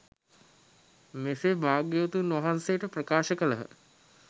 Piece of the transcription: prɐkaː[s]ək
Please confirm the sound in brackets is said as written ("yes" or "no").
no